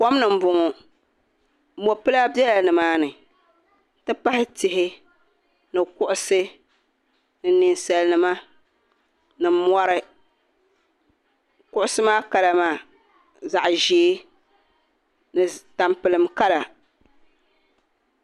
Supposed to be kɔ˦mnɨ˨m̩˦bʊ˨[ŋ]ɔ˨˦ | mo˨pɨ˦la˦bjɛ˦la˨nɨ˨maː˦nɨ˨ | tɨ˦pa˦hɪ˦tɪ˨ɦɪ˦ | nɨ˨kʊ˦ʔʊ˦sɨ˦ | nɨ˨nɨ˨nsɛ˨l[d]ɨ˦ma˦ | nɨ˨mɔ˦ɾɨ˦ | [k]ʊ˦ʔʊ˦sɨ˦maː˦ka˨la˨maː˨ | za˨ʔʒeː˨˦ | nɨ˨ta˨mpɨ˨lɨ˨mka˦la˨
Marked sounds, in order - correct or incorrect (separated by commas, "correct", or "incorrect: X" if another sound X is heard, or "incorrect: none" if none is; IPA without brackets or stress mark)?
correct, incorrect: n, correct